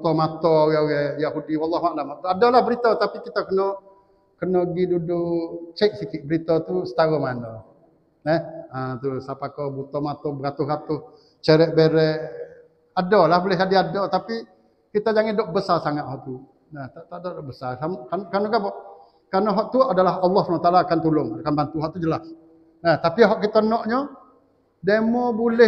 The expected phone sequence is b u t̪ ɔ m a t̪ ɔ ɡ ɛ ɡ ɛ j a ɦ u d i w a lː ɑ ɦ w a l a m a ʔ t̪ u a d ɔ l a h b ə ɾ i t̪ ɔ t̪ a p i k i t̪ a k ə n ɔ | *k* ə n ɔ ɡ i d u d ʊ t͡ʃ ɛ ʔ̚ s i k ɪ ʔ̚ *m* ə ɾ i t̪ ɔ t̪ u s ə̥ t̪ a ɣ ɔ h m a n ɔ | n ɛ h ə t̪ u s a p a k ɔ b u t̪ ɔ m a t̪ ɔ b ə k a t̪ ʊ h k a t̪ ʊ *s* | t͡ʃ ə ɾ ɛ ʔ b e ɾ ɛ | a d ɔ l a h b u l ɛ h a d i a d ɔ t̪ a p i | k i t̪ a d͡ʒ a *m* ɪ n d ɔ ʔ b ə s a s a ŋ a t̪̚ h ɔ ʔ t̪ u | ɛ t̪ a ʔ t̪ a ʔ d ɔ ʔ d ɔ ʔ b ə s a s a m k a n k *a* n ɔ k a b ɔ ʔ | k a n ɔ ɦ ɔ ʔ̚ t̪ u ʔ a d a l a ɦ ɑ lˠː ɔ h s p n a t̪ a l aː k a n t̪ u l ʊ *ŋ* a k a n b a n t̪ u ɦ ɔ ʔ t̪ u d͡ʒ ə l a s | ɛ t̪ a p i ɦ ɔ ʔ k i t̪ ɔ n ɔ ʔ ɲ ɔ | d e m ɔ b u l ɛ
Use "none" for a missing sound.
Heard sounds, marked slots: k, b, h, ŋ, a, ŋ

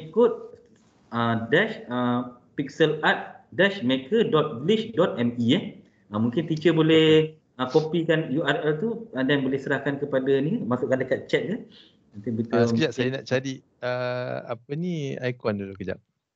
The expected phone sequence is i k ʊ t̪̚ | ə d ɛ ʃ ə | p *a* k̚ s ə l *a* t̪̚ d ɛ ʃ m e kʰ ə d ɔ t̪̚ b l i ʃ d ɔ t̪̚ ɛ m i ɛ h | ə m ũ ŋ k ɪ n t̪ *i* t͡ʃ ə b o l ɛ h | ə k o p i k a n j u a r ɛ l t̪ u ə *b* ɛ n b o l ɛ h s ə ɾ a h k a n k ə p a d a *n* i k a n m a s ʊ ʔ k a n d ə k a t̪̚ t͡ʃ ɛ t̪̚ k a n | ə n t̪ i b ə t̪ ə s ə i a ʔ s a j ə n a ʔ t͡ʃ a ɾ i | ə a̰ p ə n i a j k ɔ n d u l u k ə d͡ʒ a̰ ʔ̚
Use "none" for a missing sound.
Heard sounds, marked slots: i, a, i, d, n

